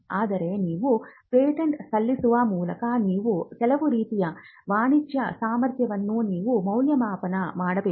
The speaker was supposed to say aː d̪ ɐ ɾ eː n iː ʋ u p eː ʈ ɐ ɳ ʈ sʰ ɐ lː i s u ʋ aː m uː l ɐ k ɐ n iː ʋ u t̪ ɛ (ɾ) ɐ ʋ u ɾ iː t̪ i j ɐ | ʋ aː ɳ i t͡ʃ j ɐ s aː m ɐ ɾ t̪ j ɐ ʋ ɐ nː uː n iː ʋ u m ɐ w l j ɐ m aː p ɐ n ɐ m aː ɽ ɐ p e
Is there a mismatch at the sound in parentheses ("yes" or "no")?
yes